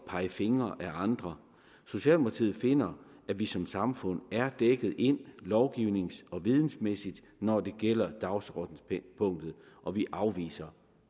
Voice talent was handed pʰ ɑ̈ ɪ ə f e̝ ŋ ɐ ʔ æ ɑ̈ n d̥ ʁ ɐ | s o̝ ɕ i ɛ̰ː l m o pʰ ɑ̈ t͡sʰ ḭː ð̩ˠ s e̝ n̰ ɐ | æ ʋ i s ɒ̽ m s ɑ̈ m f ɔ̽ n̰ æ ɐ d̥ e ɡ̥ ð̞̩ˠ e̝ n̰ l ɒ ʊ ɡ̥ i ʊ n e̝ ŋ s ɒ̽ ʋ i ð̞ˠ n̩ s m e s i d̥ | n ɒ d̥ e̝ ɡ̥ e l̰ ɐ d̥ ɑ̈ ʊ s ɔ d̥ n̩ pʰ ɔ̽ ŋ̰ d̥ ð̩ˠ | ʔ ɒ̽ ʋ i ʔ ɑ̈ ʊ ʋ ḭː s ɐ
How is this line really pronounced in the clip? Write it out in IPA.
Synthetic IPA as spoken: pʰ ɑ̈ ɪ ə f e̝ ŋ ɐ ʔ æ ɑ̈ n d̥ ʁ ɐ | s o̝ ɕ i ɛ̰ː l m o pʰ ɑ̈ t͡sʰ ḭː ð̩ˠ f e̝ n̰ ɐ | æ ʋ i s ɒ̽ m s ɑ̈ m f ɔ̽ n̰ æ ɐ d̥ e ɡ̥ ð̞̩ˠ e̝ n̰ l ɒ ʊ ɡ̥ i ʊ n e̝ ŋ s ɒ̽ ʋ i ð̞ˠ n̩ s m e s i d̥ | n ɒ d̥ e̝ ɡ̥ e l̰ ɐ d̥ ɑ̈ ʊ s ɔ d̥ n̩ pʰ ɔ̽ ŋ̰ d̥ ð̩ˠ | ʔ ɒ̽ ʋ i ʔ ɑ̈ ʊ ʋ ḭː s ɐ